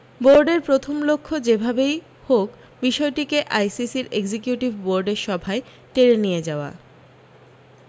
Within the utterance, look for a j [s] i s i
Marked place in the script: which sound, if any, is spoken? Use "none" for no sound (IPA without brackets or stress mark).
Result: s